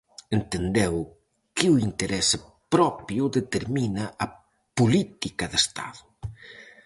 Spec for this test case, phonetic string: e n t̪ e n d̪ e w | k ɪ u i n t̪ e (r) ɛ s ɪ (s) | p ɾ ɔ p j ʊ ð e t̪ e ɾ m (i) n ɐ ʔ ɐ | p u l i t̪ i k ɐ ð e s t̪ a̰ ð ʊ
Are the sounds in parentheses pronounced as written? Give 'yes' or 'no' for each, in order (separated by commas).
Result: no, no, yes